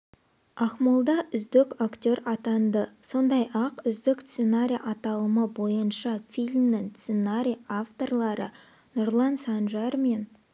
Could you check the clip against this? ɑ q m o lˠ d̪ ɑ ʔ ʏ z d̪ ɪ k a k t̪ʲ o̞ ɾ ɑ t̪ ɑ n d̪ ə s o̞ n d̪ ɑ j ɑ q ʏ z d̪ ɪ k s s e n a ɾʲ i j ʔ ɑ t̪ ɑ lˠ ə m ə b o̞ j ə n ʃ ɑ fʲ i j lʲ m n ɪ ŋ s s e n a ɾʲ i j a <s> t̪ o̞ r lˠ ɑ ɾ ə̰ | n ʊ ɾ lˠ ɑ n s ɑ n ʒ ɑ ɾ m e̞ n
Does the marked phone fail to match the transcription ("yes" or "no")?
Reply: yes